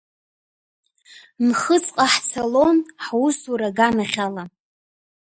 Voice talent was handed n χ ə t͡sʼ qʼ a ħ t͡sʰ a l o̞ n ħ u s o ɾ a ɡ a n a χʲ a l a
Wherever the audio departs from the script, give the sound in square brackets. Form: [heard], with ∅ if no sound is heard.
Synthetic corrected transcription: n χ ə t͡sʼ qʼ a ħ t͡sʰ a l o̞ n ħ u s [u] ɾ a ɡ a n a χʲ a l a